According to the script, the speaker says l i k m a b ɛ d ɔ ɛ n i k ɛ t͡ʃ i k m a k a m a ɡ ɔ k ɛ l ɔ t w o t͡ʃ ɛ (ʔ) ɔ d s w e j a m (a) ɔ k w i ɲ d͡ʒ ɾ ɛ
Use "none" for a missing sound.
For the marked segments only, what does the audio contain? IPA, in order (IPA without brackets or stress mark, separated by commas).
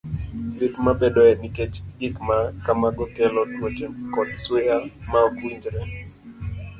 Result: k, a